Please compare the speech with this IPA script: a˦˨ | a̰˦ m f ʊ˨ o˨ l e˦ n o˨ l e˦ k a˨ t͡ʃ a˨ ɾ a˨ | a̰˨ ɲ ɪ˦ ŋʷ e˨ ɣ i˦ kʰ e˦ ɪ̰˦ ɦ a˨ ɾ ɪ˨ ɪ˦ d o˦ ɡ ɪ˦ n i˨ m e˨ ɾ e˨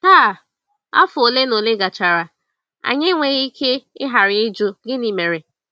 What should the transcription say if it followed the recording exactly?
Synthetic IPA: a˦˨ | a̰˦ f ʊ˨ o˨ l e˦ n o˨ l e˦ ɡ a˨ t͡ʃ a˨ ɾ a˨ | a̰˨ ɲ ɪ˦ ŋʷ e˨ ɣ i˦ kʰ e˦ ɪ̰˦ ɦ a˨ ɾ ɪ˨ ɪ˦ d͡ʒ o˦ ɡ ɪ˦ n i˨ m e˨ ɾ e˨